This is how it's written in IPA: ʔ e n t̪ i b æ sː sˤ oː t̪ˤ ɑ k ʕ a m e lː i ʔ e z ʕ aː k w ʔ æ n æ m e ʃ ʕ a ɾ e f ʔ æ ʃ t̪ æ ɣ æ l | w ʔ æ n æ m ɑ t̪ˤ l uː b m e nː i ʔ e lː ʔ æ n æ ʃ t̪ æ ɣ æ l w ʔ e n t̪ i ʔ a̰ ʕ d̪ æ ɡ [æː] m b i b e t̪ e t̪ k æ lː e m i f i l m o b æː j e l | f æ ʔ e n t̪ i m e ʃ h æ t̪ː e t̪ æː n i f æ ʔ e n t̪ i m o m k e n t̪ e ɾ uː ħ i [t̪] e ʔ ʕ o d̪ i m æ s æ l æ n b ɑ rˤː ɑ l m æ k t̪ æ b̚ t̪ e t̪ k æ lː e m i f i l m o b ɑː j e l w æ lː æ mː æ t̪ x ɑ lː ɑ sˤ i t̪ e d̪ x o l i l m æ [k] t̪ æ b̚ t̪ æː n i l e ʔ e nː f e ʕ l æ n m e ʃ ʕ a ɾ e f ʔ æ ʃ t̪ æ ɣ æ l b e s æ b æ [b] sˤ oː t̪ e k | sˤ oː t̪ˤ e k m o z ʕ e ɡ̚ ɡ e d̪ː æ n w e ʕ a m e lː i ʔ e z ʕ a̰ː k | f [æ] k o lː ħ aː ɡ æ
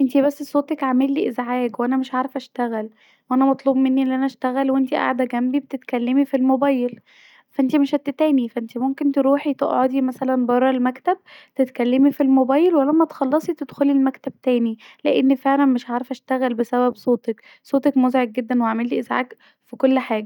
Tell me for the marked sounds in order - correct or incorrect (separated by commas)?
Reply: incorrect, correct, correct, correct, incorrect